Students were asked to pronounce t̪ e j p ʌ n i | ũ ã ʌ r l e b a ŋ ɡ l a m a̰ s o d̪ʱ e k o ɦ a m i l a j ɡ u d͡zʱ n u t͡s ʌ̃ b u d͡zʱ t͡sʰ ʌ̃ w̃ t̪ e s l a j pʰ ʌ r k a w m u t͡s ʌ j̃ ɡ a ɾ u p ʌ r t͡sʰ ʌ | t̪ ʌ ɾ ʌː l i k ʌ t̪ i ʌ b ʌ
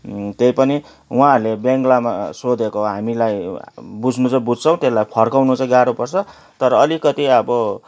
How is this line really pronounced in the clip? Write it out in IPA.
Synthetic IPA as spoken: t̪ e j p ʌ n i | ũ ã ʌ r l e b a ŋ ɡ l a m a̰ s o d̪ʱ e k o ɦ a m i l a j b u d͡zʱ n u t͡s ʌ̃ b u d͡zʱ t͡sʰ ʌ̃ w̃ t̪ e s l a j pʰ ʌ r k a w n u t͡s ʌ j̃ ɡ a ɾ u p ʌ r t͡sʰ ʌ | t̪ ʌ ɾ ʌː l i k ʌ t̪ i ʌ b ʌ